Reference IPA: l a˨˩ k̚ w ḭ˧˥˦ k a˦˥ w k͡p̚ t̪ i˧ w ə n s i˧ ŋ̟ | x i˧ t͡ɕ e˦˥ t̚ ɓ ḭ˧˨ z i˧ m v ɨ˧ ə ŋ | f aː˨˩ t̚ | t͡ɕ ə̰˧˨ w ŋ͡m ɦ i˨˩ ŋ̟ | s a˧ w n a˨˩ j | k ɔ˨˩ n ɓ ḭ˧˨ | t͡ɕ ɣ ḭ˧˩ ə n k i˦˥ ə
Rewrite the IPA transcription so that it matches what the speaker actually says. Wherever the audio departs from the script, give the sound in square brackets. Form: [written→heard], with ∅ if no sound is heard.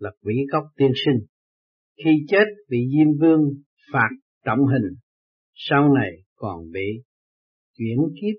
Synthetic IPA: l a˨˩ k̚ w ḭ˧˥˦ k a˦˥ w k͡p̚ t̪ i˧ [w→∅] ə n s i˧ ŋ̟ | x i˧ t͡ɕ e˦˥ t̚ ɓ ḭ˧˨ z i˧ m v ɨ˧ ə ŋ | f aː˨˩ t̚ | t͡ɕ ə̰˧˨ w ŋ͡m ɦ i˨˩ ŋ̟ | s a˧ w n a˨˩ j | k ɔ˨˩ n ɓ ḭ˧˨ | t͡ɕ [ɣ→w] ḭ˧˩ ə n k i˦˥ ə